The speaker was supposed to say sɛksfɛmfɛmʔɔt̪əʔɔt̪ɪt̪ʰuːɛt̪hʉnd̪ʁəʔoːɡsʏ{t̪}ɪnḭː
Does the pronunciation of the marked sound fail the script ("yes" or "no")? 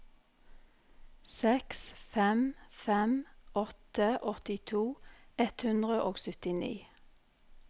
no